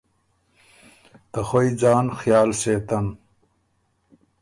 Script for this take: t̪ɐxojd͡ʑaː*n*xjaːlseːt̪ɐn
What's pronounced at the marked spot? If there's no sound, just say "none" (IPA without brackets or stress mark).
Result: n